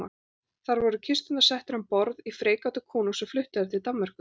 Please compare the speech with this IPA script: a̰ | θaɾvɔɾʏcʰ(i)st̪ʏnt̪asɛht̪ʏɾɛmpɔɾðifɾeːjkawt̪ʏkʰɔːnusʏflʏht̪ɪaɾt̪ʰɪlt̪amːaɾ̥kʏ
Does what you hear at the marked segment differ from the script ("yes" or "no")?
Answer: yes